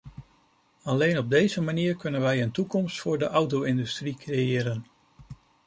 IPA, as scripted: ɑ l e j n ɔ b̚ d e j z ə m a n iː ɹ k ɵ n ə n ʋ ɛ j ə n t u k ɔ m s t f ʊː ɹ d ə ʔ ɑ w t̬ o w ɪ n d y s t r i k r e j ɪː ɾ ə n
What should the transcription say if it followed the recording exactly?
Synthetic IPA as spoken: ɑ l e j n ɔ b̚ d e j z ə m a n iː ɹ k ɵ n ə n ʋ ɛ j ə n t u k ɔ m s t f ʊː ɹ d ə ʔ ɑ w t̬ o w ɪ n d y s t r i k r e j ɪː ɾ ə n